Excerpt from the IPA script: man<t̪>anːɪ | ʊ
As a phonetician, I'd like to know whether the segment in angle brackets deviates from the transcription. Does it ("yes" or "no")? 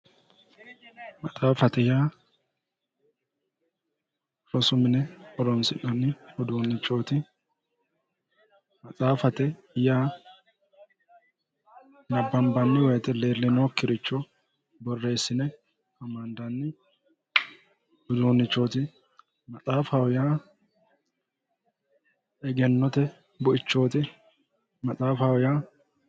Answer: yes